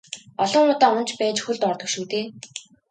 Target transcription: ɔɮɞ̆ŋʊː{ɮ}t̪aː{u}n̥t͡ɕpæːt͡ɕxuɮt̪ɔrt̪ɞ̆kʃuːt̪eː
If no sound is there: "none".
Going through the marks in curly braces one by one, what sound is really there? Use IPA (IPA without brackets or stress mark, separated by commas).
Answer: none, ʊ